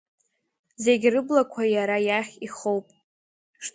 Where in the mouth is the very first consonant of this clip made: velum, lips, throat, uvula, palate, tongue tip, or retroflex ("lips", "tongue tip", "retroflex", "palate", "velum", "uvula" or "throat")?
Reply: tongue tip